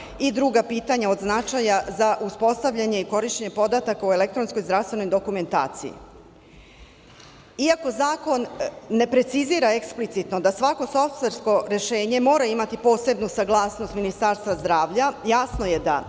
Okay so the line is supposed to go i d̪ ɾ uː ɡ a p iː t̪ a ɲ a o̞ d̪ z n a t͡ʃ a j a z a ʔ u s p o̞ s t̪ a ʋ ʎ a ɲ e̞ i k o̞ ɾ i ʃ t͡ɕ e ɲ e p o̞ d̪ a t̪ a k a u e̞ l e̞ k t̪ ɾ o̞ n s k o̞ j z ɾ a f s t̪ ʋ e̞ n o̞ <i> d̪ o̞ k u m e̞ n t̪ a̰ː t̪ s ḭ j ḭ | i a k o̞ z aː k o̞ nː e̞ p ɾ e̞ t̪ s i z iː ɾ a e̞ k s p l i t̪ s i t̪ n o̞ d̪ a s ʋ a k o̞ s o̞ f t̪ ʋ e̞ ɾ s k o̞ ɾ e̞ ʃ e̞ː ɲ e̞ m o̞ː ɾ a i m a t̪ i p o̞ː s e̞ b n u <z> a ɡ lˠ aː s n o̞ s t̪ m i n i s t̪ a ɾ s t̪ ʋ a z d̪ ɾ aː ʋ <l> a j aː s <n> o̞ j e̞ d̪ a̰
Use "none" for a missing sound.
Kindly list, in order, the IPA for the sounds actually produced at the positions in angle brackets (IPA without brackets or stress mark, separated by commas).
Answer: j, s, ʎ, n